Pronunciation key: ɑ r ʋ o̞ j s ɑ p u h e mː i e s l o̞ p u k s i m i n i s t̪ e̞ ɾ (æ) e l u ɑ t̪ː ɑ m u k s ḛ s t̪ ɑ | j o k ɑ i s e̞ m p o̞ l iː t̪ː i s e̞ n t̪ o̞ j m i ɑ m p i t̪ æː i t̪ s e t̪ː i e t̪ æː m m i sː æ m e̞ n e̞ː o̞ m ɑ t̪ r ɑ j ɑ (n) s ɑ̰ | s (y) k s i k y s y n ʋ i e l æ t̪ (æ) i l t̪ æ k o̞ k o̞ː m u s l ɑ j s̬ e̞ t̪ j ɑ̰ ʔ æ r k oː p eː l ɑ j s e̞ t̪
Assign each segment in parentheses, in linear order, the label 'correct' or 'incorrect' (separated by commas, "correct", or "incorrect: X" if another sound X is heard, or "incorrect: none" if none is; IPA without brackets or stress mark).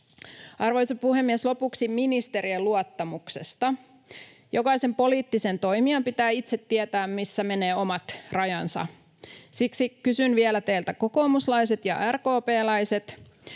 incorrect: i, correct, incorrect: i, incorrect: e